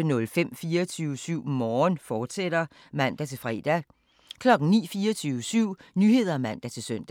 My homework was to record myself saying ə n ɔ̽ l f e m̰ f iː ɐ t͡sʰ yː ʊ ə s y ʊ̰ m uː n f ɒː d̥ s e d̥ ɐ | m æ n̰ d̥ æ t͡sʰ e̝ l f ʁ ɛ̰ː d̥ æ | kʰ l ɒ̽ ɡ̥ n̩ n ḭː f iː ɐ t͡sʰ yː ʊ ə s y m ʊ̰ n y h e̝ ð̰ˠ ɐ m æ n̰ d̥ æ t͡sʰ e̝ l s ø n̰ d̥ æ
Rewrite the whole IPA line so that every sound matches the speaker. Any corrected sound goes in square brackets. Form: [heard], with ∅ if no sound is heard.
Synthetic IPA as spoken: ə n ɔ̽ l f e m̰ f iː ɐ t͡sʰ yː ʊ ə s y ʊ̰ m [ɒː] n f ɒː d̥ s e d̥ ɐ | m æ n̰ d̥ æ t͡sʰ e̝ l f ʁ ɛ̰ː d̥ æ | kʰ l ɒ̽ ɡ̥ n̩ n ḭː f iː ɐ t͡sʰ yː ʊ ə s y [∅] ʊ̰ n y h e̝ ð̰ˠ ɐ m æ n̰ d̥ æ t͡sʰ e̝ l s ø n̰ d̥ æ